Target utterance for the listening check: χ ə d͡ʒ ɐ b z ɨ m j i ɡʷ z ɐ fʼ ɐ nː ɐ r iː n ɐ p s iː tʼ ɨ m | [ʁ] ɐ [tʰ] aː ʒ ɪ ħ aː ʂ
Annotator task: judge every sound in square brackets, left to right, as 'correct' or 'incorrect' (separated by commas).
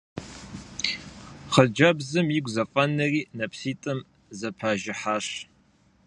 incorrect, incorrect